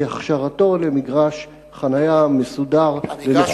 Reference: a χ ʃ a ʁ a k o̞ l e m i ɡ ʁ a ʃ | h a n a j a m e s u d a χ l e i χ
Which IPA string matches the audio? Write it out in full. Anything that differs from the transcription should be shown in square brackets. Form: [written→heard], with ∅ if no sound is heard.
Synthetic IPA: a χ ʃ a ʁ a [k→t] o̞ l e m i ɡ ʁ a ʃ | [h→χ] a n a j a m e s u d a [χ→ʁ] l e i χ